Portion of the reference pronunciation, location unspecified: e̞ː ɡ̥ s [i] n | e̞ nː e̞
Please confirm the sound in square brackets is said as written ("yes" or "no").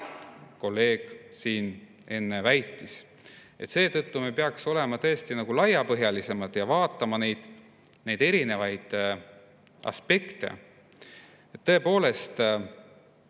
no